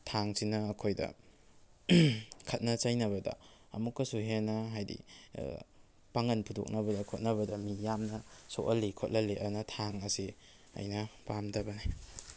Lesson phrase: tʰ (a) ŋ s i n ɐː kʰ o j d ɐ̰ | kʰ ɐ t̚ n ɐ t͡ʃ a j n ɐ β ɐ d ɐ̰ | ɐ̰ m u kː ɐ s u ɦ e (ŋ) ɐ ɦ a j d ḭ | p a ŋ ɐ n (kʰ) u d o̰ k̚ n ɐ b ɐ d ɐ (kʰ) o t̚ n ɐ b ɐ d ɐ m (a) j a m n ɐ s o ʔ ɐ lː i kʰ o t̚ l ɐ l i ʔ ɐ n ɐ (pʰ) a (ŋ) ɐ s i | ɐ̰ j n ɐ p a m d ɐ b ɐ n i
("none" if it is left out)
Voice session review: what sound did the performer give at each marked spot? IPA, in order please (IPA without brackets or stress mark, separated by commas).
a, n, pʰ, kʰ, i, tʰ, ŋ